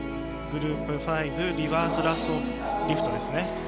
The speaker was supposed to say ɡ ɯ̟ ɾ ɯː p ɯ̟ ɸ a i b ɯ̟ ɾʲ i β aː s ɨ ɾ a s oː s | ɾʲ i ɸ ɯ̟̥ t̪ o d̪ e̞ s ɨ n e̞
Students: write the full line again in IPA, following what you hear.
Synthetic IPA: ɡ ɯ̟ ɾ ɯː p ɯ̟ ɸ a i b ɯ̟ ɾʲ i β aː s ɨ ɾ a s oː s | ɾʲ i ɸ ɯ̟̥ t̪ o d̪ e̞ s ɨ n e̞